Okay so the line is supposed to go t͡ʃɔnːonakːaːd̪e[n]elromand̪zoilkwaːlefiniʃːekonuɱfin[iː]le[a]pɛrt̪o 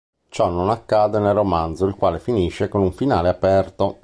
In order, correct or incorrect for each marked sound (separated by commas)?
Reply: correct, incorrect, correct